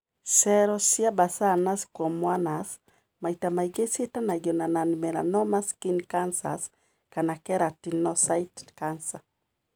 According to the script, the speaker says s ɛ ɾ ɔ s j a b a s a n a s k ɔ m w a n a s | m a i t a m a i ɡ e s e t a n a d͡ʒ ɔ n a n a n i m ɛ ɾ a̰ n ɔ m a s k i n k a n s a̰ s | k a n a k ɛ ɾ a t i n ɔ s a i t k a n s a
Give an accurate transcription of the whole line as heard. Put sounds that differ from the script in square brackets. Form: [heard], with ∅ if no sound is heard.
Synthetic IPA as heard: s ɛ ɾ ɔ s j a b a s a n a s k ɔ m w a n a s | m a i t a m a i ɡ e s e t a n a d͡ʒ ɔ n a n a n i m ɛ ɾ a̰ n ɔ m a s k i n k a n s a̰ s | k a n a k ɛ ɾ a t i n ɔ s a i t k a n s a